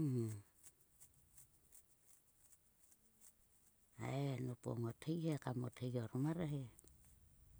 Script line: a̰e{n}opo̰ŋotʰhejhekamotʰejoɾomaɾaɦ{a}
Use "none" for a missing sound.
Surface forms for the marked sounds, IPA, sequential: n, e

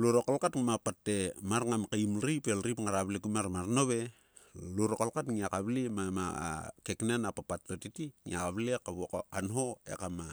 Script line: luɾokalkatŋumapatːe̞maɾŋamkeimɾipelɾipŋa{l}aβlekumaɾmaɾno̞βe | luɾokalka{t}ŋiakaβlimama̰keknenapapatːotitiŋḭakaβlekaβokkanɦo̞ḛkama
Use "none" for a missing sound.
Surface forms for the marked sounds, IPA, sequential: ɾ, t

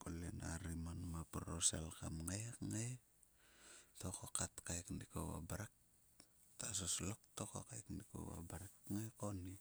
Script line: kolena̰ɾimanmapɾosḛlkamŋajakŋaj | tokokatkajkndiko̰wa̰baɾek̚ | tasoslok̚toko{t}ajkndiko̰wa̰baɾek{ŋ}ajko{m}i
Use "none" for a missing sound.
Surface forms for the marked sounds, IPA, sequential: k, ŋ, n

